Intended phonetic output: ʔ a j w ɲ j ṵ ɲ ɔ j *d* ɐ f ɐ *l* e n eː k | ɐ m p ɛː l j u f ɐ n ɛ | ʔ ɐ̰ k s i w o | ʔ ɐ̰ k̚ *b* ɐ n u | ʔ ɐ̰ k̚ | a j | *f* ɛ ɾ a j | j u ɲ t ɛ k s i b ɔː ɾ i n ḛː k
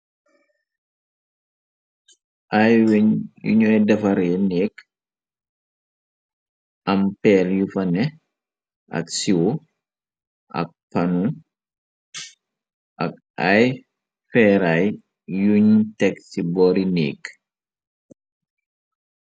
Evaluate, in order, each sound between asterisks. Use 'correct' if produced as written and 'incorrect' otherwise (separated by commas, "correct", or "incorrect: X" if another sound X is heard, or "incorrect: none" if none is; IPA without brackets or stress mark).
correct, incorrect: ɾ, incorrect: p, correct